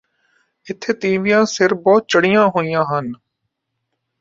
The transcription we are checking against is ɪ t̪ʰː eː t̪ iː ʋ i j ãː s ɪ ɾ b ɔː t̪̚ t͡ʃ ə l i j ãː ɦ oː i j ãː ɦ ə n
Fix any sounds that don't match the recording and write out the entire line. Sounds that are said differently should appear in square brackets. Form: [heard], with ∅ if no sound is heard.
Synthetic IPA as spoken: ɪ t̪ʰː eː t̪ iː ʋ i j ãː s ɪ ɾ b ɔː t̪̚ t͡ʃ ə [ɽ] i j ãː ɦ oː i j ãː ɦ ə n

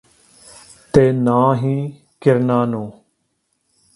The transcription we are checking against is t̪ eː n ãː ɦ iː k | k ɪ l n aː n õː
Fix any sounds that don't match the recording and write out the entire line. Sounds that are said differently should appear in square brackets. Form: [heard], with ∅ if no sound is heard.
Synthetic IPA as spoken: t̪ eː n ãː ɦ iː [∅] | k ɪ [ɾ] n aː n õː

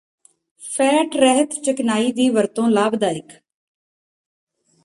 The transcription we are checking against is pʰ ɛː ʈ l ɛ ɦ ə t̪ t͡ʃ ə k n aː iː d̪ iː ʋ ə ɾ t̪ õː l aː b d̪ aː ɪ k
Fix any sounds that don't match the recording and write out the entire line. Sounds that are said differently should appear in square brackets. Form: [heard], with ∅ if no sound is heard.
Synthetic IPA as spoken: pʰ ɛː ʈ [ɾ] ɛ ɦ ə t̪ t͡ʃ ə k n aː iː d̪ iː ʋ ə ɾ t̪ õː l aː b d̪ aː ɪ k

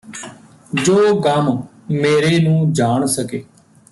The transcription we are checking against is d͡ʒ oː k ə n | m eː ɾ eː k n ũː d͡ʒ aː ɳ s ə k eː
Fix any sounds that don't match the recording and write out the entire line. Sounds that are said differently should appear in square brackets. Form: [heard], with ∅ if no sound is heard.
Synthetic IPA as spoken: d͡ʒ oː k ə [m] | m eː ɾ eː [∅] n ũː d͡ʒ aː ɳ s ə k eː

